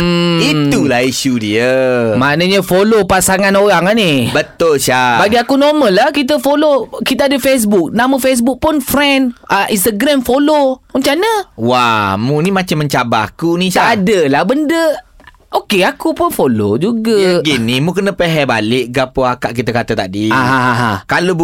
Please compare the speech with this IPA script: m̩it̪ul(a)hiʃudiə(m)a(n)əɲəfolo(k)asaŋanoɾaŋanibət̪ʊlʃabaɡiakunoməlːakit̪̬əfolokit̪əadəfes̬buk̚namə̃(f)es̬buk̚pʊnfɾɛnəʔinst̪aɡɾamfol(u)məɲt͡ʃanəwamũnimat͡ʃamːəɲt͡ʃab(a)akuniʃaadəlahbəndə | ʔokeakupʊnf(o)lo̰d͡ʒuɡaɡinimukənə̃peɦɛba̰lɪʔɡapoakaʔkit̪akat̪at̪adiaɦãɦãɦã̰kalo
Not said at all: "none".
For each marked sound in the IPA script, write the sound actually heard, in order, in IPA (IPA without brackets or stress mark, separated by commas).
a, m, n, p, f, o, a, o